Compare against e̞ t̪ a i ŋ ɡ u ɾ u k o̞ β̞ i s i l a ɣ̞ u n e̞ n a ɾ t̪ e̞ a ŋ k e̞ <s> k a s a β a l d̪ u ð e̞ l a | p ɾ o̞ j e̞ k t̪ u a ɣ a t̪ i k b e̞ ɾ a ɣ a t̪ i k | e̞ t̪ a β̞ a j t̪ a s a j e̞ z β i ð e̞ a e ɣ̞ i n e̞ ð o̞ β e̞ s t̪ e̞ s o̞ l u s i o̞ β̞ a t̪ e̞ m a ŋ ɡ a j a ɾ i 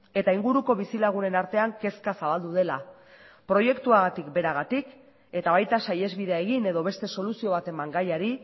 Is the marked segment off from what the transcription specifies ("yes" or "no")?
no